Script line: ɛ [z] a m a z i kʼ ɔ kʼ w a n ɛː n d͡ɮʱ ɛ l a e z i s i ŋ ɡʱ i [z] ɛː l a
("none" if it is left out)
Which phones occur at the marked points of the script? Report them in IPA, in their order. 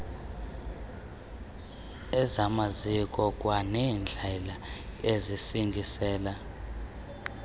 z, s

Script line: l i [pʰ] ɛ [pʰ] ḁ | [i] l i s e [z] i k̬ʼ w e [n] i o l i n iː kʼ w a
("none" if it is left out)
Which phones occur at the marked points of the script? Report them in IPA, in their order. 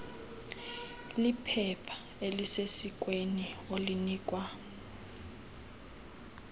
pʰ, pʰ, e, s, n

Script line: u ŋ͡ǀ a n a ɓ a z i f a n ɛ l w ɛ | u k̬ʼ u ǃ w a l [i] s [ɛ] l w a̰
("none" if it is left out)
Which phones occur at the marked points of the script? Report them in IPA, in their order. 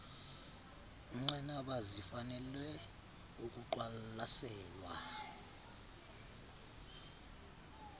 a, ɛː

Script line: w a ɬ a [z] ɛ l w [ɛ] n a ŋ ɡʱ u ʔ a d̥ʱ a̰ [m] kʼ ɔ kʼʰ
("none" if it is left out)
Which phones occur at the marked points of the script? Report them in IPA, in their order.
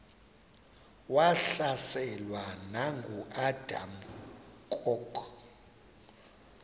s, a, m

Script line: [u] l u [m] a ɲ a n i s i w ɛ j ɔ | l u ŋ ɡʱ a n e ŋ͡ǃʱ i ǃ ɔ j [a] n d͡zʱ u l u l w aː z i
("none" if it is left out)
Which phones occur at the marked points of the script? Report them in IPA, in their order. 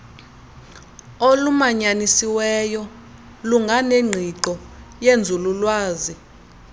o, m, e

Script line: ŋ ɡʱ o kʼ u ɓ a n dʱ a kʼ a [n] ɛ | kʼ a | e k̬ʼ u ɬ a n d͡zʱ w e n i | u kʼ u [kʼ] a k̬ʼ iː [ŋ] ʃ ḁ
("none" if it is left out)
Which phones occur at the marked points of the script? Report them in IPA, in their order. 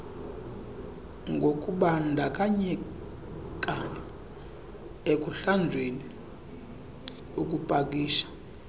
ɲ, pʼ, none

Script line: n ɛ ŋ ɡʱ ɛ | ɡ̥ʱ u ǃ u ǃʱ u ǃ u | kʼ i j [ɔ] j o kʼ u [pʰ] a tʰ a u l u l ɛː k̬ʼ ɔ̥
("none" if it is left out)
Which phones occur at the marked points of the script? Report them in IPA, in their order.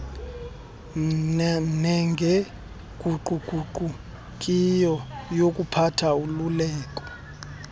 ɔ, pʰ

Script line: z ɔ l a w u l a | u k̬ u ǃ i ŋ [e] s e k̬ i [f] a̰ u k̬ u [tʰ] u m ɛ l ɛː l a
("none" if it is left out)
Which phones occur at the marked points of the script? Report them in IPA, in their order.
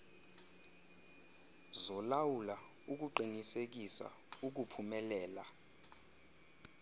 i, s, pʰ

